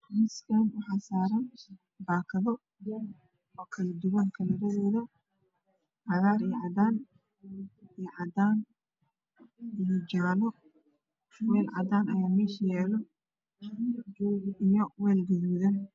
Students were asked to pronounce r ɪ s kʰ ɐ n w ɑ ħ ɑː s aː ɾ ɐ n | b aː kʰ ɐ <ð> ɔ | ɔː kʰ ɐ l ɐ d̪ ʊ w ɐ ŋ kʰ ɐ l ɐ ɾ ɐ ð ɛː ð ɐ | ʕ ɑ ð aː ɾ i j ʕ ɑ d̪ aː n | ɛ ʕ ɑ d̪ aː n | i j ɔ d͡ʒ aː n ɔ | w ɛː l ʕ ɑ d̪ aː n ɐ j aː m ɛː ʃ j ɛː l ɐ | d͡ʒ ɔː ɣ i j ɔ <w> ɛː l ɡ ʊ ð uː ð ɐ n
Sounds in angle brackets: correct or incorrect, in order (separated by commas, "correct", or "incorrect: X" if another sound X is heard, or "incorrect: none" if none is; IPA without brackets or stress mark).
correct, correct